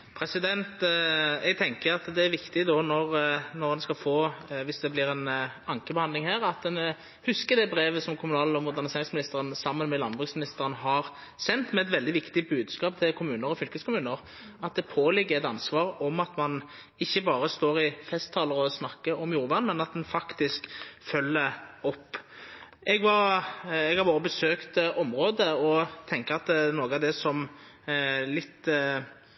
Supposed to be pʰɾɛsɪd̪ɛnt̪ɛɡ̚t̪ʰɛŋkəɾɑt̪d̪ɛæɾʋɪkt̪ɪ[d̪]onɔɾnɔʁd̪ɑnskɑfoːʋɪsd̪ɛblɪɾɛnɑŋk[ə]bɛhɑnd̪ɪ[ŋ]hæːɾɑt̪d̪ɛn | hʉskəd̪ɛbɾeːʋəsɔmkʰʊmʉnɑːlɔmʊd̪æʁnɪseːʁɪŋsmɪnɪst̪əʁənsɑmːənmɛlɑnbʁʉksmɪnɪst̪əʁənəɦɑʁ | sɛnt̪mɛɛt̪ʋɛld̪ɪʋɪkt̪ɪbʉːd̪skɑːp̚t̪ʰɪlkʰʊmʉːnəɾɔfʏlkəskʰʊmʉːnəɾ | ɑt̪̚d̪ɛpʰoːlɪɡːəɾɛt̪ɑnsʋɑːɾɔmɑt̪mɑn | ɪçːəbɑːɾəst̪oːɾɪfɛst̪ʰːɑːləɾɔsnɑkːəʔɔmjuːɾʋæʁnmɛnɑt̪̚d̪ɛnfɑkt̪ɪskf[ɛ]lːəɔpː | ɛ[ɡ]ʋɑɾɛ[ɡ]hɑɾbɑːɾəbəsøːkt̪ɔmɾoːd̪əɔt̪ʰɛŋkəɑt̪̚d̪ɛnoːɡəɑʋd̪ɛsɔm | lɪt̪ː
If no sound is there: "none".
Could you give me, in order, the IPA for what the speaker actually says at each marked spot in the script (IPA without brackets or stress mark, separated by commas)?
d̪, ə, ŋ, œ, ɡ, ɡ